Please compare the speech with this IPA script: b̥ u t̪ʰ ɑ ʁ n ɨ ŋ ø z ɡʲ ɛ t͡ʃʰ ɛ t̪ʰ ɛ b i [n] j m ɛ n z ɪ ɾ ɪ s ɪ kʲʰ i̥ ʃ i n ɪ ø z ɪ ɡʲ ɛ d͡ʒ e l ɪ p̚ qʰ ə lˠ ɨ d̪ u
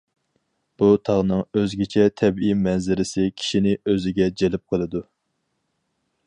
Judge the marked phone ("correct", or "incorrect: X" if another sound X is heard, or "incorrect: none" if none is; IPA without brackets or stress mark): incorrect: none